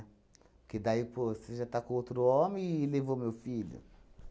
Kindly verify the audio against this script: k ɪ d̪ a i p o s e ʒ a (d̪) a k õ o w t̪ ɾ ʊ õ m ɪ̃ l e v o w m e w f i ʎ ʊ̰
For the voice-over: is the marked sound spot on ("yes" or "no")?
no